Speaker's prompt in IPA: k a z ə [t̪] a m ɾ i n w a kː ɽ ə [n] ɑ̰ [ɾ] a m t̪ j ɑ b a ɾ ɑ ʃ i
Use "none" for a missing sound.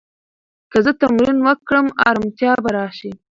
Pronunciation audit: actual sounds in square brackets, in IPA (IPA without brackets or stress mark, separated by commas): t̪, m, ɾ